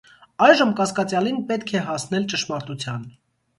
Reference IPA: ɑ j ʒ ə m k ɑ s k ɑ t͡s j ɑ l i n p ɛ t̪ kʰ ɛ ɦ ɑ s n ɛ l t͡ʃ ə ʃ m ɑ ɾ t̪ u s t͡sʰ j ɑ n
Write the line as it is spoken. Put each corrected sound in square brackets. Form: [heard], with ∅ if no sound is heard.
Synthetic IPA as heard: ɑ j ʒ ə m k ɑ s k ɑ t͡s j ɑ l i n p ɛ t̪ kʰ ɛ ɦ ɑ s n ɛ l t͡ʃ ə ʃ m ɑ ɾ t̪ u [∅] t͡sʰ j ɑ n